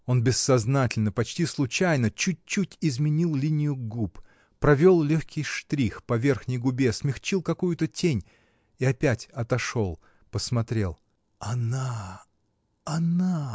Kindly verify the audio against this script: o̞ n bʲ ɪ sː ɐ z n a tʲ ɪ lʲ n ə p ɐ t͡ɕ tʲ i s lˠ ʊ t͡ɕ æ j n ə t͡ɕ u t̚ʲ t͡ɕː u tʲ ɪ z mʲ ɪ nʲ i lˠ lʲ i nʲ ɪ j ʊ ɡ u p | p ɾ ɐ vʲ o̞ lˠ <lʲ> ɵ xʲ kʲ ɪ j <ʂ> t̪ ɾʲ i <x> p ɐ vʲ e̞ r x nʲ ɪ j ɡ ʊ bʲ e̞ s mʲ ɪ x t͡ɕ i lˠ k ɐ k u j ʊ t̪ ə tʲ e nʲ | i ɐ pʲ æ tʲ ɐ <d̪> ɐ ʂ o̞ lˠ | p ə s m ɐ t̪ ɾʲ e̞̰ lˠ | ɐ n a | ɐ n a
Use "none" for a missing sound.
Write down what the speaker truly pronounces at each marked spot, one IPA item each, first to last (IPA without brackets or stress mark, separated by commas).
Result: lʲ, ʂ, x, t̪